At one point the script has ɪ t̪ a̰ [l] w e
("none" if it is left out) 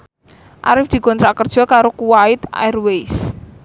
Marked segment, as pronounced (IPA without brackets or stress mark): r